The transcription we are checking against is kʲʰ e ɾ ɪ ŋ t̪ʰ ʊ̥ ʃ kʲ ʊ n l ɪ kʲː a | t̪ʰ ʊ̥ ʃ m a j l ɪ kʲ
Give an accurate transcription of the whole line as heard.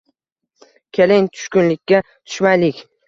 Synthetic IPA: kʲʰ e l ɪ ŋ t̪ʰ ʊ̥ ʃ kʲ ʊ n l ɪ kʲː a | t̪ʰ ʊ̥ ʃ m a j l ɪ kʲ

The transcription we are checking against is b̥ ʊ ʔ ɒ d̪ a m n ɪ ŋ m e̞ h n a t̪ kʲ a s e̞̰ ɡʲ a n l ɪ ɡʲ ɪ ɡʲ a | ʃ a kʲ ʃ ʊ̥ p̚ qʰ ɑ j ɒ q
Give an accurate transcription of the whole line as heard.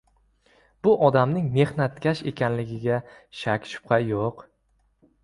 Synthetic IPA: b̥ ʊ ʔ ɒ d̪ a m n ɪ ŋ m e̞ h n a t̪ kʲ a ʃ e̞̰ kʲ a n l ɪ ɡʲ ɪ ɡʲ a | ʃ a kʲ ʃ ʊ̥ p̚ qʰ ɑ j o q

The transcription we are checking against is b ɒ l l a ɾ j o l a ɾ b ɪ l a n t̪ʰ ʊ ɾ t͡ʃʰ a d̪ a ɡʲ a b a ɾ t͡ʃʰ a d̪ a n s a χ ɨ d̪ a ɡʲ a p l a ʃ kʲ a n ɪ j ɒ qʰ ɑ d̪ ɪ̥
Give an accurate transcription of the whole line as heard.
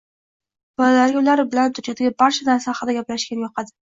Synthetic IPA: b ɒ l l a ɾ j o l a ɾ b ɪ l a n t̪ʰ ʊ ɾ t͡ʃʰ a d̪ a ɡʲ a b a ɾ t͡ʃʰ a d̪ a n s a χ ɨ d̪ a ɡʲ a p l a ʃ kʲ a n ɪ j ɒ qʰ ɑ d̪ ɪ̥

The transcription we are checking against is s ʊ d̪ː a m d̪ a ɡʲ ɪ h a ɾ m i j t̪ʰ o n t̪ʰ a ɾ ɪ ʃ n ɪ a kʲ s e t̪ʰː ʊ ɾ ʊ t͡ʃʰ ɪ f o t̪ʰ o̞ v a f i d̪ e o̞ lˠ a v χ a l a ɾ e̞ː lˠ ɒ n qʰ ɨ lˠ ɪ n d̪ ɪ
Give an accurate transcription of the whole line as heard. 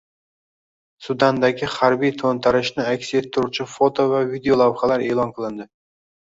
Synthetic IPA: s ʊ d̪ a n d̪ a ɡʲ ɪ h a ɾ b i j t̪ʰ o n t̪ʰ a ɾ ɪ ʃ n ɪ a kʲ s e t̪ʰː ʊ ɾ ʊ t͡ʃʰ ɪ f o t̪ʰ o̞ v a v i d̪ e o̞ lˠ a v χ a l a ɾ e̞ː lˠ ɒ n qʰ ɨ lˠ ɪ n d̪ ɪ

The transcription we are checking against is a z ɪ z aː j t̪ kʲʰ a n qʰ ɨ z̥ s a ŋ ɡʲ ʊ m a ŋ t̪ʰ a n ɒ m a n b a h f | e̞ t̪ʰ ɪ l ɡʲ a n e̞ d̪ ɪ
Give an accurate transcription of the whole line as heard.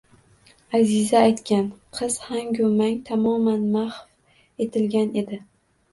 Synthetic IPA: a z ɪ z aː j t̪ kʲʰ a n qʰ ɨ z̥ h a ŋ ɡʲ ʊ m a ŋ t̪ʰ a m ɒ m a n m a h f | e̞ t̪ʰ ɪ l ɡʲ a n e̞ d̪ ɪ

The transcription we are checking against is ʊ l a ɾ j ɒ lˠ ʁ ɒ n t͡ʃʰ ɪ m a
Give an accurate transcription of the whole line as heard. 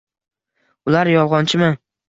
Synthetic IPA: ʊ l a ɾ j ɒ lˠ ʁ ɒ n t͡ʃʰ ɪ m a

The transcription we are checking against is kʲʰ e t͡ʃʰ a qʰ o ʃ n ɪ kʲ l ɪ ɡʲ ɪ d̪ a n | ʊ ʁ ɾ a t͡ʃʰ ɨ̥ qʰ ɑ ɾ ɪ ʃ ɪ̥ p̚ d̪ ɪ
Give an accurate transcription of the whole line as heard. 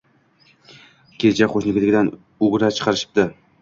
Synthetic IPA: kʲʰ e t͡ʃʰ a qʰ o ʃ n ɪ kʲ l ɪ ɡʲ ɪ d̪ a n | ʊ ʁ ɾ a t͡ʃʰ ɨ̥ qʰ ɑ ɾ ɪ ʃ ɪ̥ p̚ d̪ ɪ

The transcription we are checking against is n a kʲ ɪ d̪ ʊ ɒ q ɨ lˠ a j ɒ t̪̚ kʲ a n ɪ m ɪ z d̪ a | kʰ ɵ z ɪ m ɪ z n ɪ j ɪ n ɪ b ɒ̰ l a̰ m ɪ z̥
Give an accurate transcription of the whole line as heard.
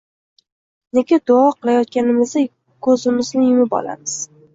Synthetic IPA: n e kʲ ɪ d̪ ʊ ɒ q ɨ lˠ a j ɒ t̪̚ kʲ a n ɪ m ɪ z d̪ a | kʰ ɵ z ɪ m ɪ z n ɪ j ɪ m ɪ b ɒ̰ l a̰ m ɪ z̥

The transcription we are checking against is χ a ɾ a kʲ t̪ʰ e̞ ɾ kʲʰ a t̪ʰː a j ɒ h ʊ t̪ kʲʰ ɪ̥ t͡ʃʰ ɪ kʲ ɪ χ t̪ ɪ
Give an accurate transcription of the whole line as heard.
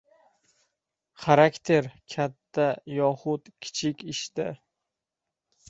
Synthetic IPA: χ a ɾ a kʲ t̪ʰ e̞ ɾ kʲʰ a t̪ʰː a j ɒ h ʊ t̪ kʲʰ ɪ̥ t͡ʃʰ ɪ kʲ ɪ ʃ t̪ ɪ

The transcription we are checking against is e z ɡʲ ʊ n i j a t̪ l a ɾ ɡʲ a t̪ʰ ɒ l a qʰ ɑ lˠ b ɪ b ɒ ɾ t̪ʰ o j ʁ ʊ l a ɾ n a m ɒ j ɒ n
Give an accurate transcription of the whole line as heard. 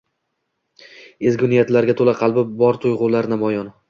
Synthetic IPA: e z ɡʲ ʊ n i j a t̪ l a ɾ ɡʲ a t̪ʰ o l a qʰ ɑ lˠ b ɪ b ɒ ɾ t̪ʰ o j ʁ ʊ l a ɾ n a m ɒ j ɒ n

